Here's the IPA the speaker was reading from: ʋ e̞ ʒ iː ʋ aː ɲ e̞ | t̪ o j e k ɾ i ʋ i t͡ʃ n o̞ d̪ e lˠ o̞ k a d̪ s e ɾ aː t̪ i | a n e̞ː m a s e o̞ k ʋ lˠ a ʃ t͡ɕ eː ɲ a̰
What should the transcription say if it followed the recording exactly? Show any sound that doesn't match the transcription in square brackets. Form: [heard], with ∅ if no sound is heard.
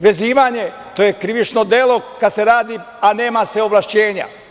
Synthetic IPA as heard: ʋ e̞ [z] iː ʋ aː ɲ e̞ | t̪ o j e k ɾ i ʋ i t͡ʃ n o̞ d̪ e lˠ o̞ k a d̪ s e ɾ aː [d̪] i | a n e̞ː m a s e o̞ [∅] ʋ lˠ a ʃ t͡ɕ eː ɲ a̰